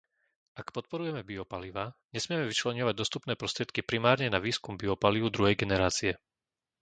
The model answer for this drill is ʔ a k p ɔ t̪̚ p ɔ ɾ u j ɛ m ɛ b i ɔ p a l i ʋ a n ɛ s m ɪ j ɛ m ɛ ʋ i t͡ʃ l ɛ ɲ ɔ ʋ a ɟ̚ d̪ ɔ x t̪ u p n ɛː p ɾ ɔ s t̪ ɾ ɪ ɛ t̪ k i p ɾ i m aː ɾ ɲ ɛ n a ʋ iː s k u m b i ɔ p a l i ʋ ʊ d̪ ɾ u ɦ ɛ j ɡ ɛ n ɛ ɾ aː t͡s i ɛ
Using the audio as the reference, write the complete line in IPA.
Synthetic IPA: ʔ a k p ɔ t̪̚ p ɔ ɾ u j ɛ m ɛ b i ɔ p a l i ʋ a ɲ ɛ s m ɪ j ɛ m ɛ ʋ i t͡ʃ l ɛ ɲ ɔ ʋ a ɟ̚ d̪ ɔ s t̪ u p n ɛː p ɾ ɔ s t̪ ɾ ɪ ɛ t̪ k i p ɾ i m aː ɾ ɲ ɛ n a ʋ iː s k u m b i ɔ p a l i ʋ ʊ d̪ ɾ u ɦ ɛ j ɡ ɛ n ɛ ɾ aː t͡s i ɛ